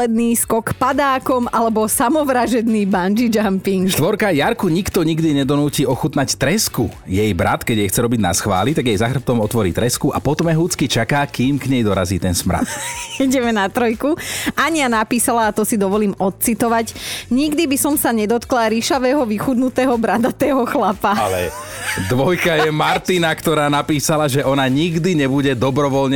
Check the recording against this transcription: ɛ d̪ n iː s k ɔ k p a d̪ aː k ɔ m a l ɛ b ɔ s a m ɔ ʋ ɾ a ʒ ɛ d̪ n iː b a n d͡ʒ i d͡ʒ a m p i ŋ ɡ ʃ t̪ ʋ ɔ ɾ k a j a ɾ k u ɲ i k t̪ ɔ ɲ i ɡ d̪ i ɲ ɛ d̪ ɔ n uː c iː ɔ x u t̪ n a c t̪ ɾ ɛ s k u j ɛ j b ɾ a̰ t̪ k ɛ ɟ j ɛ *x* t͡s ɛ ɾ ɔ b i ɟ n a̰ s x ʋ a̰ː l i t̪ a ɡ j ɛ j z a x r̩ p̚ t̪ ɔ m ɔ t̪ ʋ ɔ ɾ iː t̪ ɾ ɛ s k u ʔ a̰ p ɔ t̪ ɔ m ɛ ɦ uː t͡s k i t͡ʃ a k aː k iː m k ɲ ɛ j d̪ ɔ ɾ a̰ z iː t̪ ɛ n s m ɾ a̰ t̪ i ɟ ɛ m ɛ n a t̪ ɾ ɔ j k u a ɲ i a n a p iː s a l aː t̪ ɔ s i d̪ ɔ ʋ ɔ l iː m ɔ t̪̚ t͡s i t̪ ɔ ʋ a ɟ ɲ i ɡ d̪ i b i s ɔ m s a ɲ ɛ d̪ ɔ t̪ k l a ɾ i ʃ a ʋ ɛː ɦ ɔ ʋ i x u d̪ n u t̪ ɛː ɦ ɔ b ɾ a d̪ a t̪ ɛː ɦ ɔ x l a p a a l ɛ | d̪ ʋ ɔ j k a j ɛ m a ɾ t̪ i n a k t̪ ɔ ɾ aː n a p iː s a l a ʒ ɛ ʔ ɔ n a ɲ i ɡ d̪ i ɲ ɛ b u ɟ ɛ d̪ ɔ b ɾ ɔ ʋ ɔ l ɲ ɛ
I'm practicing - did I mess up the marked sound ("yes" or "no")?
no